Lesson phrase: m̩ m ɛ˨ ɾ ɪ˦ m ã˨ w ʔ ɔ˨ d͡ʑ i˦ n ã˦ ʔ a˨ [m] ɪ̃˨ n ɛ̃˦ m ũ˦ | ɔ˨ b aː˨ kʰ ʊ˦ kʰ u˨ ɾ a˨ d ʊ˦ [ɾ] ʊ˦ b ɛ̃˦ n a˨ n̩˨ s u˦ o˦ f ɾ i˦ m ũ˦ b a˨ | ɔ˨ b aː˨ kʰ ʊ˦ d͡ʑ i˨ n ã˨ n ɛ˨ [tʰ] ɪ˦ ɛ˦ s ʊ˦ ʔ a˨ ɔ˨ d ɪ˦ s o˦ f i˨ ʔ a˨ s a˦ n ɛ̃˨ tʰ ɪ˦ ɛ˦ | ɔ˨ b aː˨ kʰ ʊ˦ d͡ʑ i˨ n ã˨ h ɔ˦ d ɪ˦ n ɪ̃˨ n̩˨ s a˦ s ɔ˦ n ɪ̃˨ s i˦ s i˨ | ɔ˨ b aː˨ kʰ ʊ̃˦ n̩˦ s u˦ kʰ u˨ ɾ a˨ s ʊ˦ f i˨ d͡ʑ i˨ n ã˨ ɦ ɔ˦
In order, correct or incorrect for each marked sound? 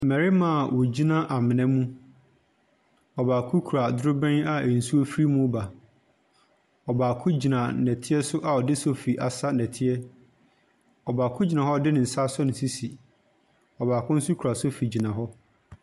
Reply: correct, correct, correct

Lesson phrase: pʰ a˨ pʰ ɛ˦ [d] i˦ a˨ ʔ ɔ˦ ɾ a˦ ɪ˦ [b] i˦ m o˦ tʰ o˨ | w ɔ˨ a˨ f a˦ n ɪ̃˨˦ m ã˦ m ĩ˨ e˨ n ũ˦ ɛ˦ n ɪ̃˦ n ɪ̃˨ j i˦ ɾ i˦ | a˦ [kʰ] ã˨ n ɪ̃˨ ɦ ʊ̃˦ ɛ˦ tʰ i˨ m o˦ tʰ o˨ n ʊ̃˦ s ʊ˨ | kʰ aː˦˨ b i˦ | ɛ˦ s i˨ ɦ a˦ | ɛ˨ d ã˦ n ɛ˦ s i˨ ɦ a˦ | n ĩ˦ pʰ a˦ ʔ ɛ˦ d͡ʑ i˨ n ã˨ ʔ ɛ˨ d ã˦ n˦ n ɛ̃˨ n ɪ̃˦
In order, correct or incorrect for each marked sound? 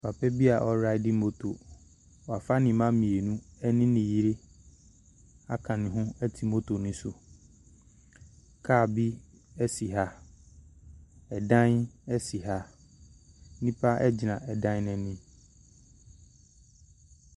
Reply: incorrect: b, incorrect: d, correct

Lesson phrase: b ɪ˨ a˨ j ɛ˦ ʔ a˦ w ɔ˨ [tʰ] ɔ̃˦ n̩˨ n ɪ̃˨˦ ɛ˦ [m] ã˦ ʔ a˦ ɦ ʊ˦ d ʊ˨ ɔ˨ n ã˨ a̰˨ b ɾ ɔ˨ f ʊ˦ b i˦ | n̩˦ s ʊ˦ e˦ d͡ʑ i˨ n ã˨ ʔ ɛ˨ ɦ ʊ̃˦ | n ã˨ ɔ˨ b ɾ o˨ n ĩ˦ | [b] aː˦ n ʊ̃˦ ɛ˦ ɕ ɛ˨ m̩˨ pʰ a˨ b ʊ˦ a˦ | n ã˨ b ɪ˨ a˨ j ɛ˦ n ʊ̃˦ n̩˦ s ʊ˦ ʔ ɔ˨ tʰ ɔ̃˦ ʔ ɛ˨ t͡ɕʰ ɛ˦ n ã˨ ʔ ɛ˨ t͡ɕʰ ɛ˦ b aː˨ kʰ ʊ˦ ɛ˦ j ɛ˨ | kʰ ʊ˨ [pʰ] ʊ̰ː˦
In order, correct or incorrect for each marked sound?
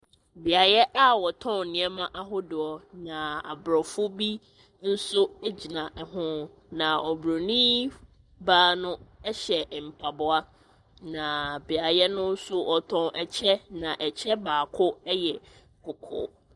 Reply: correct, correct, correct, incorrect: kʰ

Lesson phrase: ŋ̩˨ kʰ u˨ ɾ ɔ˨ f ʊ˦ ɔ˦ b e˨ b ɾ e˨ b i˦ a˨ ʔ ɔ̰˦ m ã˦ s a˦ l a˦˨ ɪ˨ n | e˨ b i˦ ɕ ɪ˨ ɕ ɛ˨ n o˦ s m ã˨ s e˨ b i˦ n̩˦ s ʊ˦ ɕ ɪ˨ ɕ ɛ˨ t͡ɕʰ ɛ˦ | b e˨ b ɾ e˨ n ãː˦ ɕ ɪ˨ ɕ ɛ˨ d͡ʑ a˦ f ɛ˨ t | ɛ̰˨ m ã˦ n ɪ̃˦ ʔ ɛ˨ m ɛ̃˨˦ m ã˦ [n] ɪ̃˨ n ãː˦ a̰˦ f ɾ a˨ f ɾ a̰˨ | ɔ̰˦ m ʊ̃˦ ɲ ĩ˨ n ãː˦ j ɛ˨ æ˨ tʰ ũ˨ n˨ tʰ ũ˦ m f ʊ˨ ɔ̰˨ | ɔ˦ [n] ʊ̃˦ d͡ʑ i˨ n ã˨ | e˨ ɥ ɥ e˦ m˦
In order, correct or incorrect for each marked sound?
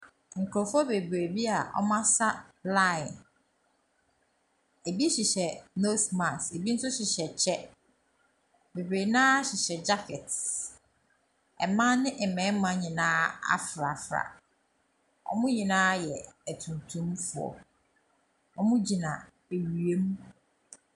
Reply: incorrect: ɲ, incorrect: m

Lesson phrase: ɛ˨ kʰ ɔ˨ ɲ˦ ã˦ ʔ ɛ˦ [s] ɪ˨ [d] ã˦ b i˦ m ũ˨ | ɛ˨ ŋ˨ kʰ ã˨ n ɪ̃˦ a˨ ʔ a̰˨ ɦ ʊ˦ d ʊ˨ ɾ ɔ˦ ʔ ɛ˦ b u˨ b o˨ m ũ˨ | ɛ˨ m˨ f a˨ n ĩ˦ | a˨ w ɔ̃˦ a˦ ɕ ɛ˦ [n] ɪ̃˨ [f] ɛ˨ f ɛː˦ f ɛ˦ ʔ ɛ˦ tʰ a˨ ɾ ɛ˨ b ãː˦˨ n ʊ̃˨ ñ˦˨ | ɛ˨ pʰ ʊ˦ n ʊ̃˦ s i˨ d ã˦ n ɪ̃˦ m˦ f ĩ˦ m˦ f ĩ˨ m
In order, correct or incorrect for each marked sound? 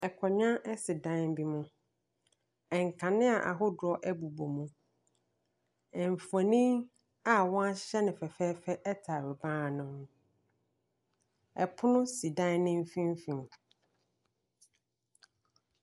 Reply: correct, correct, correct, correct

